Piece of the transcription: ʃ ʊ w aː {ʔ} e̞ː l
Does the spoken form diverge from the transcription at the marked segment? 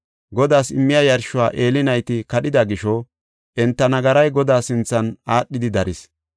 no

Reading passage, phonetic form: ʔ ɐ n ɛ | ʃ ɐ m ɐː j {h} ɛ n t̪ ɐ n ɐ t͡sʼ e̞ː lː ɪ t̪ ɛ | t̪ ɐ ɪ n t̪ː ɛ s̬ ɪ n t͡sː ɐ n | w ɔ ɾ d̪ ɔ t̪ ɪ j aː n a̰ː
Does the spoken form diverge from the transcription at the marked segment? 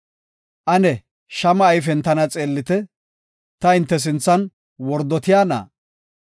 yes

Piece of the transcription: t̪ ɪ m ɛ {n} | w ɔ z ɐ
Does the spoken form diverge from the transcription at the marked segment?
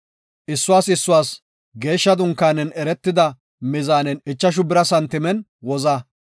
no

